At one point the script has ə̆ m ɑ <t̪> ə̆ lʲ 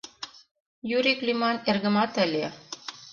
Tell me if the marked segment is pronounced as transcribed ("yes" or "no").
yes